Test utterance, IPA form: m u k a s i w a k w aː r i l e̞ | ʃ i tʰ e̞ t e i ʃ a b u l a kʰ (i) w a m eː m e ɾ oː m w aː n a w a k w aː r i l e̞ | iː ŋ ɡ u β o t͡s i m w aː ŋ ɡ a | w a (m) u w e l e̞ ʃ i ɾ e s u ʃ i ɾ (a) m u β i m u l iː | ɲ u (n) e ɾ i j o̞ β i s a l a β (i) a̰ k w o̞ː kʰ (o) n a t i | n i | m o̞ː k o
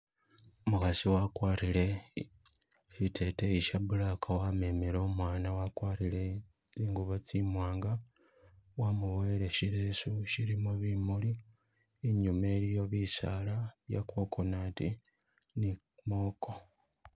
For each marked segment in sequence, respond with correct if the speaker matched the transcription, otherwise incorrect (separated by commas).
incorrect, correct, incorrect, incorrect, incorrect, correct